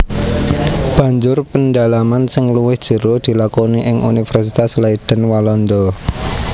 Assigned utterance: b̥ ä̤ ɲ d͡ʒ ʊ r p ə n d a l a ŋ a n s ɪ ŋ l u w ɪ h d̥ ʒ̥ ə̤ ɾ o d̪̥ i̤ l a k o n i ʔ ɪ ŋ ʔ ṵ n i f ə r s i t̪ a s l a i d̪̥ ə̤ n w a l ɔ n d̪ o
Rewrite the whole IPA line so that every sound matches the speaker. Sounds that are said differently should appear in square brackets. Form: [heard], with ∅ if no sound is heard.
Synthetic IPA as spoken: b̥ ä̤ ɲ d͡ʒ ʊ r p ə n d a l a [m] a n s ɪ ŋ l u w ɪ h d̥ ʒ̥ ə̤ ɾ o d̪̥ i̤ l a k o n i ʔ ɪ ŋ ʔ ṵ n i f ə r s i t̪ a s l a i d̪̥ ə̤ n w a l ɔ n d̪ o

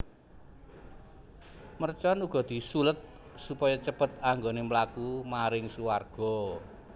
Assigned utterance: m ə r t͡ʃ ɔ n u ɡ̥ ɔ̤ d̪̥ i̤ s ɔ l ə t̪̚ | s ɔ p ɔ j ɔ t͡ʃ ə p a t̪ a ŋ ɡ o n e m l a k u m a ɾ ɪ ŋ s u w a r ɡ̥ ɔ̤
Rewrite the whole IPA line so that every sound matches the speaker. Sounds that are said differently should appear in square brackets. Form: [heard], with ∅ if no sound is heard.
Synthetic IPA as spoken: m ə r t͡ʃ ɔ n u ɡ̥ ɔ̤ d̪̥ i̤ s [u] l ə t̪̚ | s [u] p ɔ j ɔ t͡ʃ ə p [ə] t̪ a ŋ ɡ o n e m l a k u m a ɾ ɪ ŋ s u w a r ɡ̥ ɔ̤

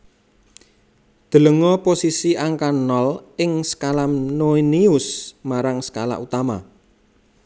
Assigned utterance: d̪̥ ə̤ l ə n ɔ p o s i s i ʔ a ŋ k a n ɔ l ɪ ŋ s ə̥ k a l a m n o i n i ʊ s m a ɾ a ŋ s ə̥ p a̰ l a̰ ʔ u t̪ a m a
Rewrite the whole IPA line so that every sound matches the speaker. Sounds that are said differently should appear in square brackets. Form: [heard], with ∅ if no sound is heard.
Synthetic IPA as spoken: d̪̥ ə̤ l ə [ŋ] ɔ p o s i s i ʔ a ŋ k a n ɔ l ɪ ŋ s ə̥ k a l a m n o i n i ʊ s m a ɾ a ŋ s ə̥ [k] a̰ l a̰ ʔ u t̪ a m a

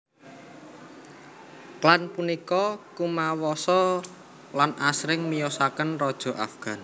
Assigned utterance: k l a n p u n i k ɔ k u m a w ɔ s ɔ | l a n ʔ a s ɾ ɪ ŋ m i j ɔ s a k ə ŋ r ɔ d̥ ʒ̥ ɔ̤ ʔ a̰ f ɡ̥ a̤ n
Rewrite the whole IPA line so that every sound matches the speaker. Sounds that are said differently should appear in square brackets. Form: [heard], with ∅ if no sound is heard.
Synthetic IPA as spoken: k l a n p u n i k ɔ k u m a w ɔ s ɔ | l a n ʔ a s ɾ ɪ ŋ m i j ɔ s a k ə [n] r ɔ d̥ ʒ̥ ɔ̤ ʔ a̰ f ɡ̥ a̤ n

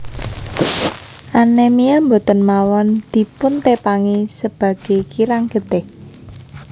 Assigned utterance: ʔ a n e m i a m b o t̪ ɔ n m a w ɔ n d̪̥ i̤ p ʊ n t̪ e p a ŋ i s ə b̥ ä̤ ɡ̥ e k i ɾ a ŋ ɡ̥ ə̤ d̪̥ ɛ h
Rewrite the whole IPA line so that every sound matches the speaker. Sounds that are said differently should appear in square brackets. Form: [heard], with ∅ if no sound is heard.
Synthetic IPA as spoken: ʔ a n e m i a m b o t̪ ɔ n m a w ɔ n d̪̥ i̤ p ʊ n t̪ e p a ŋ i s ə b̥ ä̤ ɡ̥ e k i ɾ a ŋ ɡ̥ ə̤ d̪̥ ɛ h

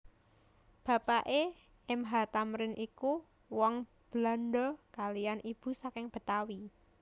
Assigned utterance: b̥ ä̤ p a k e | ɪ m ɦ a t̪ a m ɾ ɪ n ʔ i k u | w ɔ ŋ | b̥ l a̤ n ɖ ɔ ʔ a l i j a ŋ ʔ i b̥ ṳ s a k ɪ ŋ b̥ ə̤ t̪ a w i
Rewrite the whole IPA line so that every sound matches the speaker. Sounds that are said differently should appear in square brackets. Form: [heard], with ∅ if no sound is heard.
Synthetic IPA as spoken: b̥ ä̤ p a [ʔ] e | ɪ m ɦ a t̪ a m ɾ ɪ n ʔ i k u | w ɔ ŋ | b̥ l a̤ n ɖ ɔ [k] a l i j a [n] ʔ i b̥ ṳ s a k ɪ ŋ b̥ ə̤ t̪ a w i

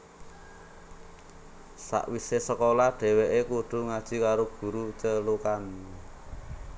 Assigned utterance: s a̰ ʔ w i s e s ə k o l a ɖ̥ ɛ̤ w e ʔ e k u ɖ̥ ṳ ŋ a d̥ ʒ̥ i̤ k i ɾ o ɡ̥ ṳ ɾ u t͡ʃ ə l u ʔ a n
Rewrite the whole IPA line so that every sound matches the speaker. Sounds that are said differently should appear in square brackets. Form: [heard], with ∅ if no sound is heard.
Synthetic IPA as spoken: s a̰ ʔ w i s e s ə k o l a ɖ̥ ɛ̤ w e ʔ e k u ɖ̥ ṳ ŋ a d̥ ʒ̥ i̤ k [a] ɾ o ɡ̥ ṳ ɾ u t͡ʃ ə l u [k] a n

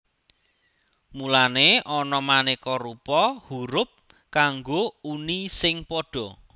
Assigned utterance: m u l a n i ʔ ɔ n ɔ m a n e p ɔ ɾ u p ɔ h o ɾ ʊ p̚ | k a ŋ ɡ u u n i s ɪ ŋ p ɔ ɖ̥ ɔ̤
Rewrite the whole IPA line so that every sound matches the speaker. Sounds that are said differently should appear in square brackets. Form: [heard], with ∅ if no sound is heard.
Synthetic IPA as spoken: m u l a n [e] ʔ ɔ n ɔ m a n e [k] ɔ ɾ u p ɔ h [u] ɾ ʊ p̚ | k a ŋ ɡ [o] u n i s ɪ ŋ p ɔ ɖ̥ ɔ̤

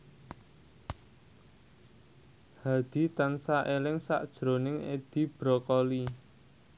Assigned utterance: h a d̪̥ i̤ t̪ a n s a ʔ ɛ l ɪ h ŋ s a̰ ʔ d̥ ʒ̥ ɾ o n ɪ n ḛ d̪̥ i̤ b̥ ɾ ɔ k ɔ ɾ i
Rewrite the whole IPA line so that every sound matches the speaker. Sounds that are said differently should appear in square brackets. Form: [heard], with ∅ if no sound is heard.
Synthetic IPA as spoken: h a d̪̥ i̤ t̪ a n s a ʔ [e] l ɪ [∅] ŋ s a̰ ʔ d̥ ʒ̥ ɾ o n ɪ [ŋ] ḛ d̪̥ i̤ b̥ ɾ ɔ k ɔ [l] i

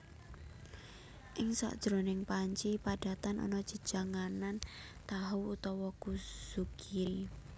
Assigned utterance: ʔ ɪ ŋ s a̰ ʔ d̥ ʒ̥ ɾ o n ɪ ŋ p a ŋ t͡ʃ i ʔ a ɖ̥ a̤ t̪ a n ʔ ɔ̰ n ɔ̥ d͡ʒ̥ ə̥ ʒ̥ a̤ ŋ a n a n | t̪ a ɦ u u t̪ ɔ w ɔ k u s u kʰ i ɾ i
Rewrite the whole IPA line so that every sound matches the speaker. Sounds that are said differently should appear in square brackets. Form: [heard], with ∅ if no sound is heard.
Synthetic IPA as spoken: ʔ ɪ ŋ s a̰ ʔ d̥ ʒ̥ ɾ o n ɪ ŋ p a [ɲ] t͡ʃ i [p] a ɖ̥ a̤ t̪ a n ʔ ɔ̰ n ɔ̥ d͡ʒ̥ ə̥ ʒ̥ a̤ ŋ a n a n | t̪ a ɦ u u t̪ ɔ w ɔ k u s u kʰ i ɾ i

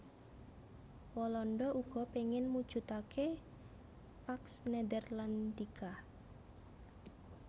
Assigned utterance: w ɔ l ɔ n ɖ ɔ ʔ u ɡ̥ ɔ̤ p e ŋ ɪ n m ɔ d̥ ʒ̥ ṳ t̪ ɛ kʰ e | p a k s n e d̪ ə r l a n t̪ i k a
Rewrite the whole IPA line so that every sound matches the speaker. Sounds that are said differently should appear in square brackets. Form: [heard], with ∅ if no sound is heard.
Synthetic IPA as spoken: w ɔ l ɔ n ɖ ɔ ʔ u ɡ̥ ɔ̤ p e ŋ ɪ n m [u] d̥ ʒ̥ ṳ t̪ [a] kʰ e | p a k s n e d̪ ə r l a n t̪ i k a

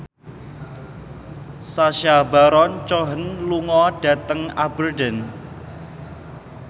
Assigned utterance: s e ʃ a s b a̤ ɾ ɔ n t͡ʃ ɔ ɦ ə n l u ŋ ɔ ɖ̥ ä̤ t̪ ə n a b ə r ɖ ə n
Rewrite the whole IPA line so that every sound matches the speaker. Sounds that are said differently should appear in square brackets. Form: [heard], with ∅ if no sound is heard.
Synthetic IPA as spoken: s [a] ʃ a [∅] b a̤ ɾ ɔ n t͡ʃ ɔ ɦ ə n l u ŋ ɔ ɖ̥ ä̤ t̪ ə [ŋ] a b ə r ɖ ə n

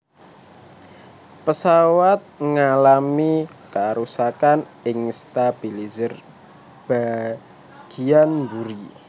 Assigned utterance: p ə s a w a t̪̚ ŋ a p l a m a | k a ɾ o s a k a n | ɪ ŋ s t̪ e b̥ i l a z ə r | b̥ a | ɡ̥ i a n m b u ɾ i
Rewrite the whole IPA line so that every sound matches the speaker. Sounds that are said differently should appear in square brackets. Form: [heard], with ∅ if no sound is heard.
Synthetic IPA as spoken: p ə s a w a t̪̚ ŋ a [∅] l a m [i] | k a ɾ [u] s a k a n | ɪ ŋ s t̪ [a] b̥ i l [i] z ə r | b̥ a | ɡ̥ i a n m b u ɾ i

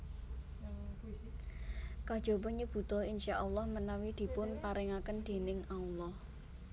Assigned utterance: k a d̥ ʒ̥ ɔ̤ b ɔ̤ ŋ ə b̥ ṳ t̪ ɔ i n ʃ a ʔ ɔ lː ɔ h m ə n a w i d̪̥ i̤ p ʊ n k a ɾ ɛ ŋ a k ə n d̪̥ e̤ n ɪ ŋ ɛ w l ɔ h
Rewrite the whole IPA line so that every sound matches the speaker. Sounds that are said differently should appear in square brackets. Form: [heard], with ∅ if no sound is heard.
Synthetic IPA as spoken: k a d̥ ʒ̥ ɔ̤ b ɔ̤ [ɲ] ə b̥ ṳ t̪ ɔ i n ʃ a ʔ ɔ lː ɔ h m ə n a w i d̪̥ i̤ p ʊ n [p] a ɾ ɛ ŋ a k ə n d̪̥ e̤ n ɪ ŋ [a] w l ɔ h

